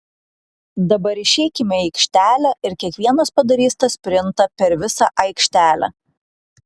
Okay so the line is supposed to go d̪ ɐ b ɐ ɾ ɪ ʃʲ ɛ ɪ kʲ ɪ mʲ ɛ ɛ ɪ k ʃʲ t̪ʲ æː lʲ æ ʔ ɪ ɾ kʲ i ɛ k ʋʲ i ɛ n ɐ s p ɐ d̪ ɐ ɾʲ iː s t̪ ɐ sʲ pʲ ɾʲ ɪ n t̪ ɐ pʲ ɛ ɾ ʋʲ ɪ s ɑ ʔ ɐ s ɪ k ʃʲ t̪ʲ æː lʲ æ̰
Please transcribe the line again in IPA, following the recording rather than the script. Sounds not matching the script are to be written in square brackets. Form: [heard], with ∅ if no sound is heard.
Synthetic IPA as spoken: d̪ ɐ b ɐ ɾ ɪ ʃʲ ɛ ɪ kʲ ɪ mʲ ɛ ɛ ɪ k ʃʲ t̪ʲ æː lʲ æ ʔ ɪ ɾ kʲ i ɛ k ʋʲ i ɛ n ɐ s p ɐ d̪ ɐ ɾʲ iː s t̪ ɐ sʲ pʲ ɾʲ ɪ n t̪ ɐ pʲ ɛ ɾ ʋʲ ɪ s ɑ ʔ ɐ [∅] ɪ k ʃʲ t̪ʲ æː lʲ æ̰